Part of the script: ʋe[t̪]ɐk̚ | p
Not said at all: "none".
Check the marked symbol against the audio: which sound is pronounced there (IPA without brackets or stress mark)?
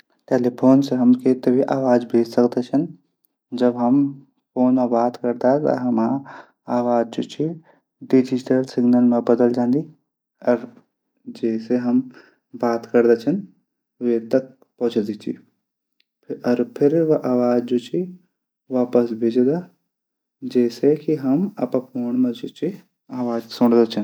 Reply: t̪